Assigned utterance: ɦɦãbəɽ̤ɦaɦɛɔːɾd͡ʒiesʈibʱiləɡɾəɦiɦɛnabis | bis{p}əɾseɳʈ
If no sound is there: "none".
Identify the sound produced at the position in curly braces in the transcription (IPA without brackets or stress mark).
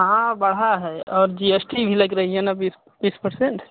p